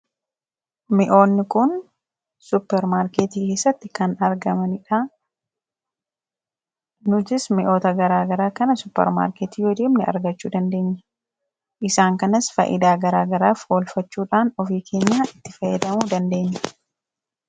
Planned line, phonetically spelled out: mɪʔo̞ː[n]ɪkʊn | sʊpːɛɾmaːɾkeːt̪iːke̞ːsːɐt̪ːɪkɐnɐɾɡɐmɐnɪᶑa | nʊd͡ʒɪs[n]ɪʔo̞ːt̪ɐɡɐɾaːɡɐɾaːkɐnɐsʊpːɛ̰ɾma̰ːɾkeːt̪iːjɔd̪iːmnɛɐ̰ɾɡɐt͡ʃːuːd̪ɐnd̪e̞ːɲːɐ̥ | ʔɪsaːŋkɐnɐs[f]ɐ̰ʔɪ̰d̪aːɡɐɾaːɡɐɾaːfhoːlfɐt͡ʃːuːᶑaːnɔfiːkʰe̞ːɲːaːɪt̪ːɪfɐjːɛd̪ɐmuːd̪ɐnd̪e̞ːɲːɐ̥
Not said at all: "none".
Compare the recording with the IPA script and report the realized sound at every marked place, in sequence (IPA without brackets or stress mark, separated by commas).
nː, m, f